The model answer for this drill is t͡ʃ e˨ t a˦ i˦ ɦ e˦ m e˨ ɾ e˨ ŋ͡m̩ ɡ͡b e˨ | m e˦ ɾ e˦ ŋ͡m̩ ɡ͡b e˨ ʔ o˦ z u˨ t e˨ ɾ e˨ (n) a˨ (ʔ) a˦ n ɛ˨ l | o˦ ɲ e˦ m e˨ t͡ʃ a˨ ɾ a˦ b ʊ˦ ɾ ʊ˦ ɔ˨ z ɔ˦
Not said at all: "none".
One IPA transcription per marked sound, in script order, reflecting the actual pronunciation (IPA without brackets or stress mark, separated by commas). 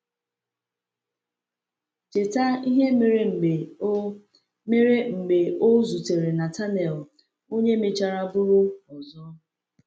n, t